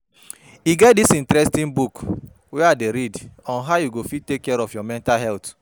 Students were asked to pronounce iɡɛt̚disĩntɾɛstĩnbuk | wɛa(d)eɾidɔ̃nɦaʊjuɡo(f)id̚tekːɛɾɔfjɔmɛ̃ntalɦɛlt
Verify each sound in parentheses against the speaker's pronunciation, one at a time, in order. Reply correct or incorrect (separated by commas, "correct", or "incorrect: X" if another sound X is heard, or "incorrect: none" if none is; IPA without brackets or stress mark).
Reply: correct, correct